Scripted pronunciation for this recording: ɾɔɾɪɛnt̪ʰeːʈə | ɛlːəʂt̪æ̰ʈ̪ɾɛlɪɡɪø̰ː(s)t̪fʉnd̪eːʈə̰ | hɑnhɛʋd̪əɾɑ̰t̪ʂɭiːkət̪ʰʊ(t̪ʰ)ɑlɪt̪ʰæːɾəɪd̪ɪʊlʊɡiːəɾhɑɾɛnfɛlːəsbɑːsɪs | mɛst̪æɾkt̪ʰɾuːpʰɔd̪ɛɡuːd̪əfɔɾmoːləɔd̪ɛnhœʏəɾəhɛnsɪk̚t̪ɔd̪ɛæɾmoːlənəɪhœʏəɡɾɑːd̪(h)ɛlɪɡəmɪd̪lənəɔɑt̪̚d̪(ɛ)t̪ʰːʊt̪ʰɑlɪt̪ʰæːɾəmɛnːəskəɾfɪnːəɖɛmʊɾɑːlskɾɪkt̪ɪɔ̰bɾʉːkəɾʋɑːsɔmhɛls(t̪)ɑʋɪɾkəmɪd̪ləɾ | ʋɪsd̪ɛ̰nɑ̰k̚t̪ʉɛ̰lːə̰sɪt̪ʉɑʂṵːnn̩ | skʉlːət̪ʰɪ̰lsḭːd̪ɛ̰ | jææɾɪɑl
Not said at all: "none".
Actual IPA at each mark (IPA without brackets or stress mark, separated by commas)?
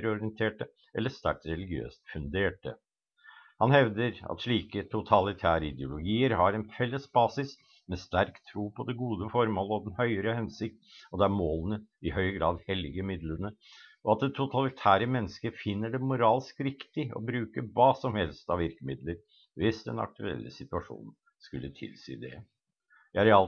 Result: s, t̪ʰ, h, ɛ, t̪